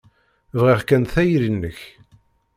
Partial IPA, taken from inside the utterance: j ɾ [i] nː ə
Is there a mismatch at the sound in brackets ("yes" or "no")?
no